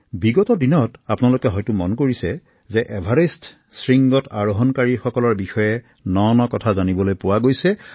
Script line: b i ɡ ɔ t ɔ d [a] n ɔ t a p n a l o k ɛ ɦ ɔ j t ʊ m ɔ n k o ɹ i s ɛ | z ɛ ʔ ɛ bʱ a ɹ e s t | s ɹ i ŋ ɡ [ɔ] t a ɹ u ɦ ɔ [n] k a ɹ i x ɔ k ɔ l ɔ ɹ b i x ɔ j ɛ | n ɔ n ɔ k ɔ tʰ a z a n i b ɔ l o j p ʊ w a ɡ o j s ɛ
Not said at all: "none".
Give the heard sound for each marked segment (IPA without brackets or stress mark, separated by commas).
i, ɔ, n